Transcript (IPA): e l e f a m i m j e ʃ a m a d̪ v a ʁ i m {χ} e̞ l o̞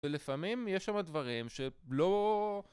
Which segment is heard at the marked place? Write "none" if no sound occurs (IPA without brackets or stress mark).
ʃ